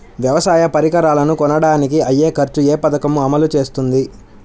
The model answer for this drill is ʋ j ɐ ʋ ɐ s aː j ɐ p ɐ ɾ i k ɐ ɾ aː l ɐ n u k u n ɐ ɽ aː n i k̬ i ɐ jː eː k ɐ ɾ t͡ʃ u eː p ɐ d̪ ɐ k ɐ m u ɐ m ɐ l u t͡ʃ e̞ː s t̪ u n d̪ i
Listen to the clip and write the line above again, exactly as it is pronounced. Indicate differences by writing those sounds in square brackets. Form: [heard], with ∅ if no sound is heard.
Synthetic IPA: ʋ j ɐ ʋ ɐ s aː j ɐ p ɐ ɾ i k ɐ ɾ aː l ɐ n u k [ɔ] n ɐ ɽ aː n i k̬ i ɐ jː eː k ɐ ɾ t͡ʃ u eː p ɐ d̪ ɐ k ɐ m u ɐ m ɐ l u t͡ʃ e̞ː s t̪ u n d̪ i